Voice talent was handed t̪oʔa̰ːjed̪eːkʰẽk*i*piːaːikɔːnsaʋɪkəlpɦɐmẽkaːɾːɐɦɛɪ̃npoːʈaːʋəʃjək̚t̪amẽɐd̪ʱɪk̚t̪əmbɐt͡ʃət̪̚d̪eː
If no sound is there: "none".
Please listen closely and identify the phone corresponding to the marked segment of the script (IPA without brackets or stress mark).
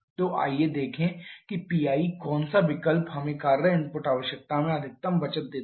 i